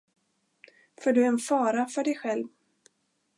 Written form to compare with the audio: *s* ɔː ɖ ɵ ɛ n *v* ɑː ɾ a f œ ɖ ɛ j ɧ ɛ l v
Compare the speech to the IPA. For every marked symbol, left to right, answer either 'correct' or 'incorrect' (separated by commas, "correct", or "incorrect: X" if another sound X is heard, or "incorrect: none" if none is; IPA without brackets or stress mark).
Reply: incorrect: f, incorrect: f